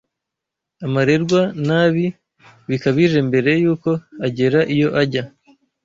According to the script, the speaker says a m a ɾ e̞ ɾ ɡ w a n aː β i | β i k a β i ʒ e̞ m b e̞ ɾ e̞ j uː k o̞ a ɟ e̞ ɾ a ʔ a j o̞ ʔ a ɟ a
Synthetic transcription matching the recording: a m a ɾ e̞ ɾ ɡ w a n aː β i | β i k a β i ʒ e̞ m b e̞ ɾ e̞ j uː k o̞ a ɟ e̞ ɾ a ʔ i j o̞ ʔ a ɟ a